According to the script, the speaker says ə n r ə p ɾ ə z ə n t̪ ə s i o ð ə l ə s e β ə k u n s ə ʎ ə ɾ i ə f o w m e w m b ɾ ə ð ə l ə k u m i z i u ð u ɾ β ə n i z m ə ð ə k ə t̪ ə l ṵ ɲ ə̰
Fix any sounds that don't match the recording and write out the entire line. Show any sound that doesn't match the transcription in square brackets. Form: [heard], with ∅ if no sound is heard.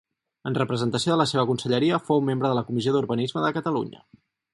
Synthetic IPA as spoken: ə n r ə p ɾ ə z ə n t̪ ə s i o ð ə l ə s e β ə k u n s ə ʎ ə ɾ i ə f o w m e [∅] m b ɾ ə ð ə l ə k u m i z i [o] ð u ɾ β ə n i z m ə ð ə k ə t̪ ə l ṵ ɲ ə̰